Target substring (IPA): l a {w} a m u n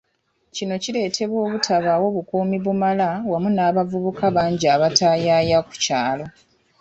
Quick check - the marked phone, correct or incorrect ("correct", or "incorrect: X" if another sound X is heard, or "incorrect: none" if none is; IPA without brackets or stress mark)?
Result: correct